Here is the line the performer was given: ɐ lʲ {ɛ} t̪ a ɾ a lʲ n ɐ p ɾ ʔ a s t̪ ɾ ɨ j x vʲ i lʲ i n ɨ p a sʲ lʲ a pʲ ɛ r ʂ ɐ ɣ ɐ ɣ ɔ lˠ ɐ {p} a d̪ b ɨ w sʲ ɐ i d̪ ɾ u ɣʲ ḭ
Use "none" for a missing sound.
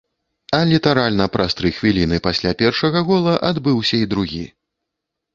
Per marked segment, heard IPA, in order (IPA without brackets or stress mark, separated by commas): i, ʔ